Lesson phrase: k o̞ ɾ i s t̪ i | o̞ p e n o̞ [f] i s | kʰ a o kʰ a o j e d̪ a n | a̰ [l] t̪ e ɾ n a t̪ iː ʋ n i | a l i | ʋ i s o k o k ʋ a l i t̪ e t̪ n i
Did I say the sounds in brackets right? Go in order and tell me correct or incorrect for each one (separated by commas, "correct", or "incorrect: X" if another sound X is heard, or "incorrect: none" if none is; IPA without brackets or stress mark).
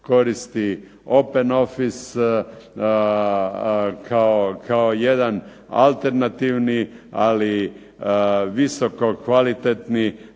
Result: correct, correct